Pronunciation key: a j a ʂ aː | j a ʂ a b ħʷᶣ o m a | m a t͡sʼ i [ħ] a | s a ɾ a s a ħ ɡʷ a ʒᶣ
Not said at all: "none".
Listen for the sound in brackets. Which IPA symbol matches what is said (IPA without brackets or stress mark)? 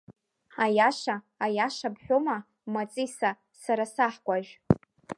s